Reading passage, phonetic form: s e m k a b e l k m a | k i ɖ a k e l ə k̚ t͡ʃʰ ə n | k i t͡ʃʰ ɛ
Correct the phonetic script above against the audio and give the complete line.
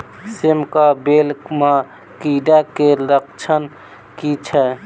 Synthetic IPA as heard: s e m k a b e l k m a | k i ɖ a k e l ə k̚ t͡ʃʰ ə n | k i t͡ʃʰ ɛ